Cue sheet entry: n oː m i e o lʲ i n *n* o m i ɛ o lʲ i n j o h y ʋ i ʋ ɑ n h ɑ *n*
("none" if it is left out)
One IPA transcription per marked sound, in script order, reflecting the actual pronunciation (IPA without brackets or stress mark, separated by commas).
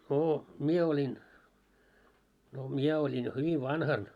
n, n